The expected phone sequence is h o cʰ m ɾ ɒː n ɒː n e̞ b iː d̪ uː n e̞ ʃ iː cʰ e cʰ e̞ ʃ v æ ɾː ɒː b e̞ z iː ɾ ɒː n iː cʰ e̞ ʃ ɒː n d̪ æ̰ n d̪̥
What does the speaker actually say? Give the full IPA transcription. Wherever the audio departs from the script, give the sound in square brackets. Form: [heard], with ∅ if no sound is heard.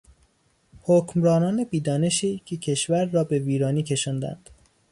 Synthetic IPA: h o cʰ m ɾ ɒː n ɒː n e̞ b iː d̪ [ɒː] n e̞ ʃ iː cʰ e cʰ e̞ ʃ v æ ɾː ɒː b e̞ [v] iː ɾ ɒː n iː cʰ e̞ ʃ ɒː n d̪ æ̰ n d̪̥